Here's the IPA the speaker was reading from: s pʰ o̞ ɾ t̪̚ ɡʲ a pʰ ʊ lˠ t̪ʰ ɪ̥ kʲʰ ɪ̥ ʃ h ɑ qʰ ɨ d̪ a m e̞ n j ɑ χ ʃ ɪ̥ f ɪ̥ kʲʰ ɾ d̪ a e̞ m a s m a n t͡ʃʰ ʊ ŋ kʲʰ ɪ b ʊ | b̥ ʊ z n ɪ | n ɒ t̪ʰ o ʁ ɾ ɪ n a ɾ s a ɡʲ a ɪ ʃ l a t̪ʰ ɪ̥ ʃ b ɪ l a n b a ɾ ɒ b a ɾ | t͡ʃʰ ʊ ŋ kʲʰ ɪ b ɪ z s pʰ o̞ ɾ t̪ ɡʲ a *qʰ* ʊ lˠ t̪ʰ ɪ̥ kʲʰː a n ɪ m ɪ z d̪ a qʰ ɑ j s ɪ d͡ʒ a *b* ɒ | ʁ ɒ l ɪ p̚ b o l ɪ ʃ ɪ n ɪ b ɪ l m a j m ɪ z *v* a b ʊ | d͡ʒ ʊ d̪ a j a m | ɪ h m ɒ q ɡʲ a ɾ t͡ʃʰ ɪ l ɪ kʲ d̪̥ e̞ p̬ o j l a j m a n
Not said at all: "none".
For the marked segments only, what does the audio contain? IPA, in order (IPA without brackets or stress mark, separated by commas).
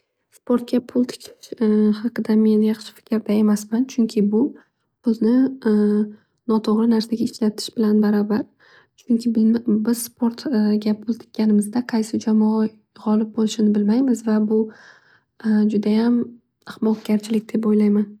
pʰ, m, v